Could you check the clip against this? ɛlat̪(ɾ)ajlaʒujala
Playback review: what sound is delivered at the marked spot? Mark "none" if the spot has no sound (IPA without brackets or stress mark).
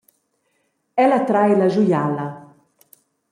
ɾ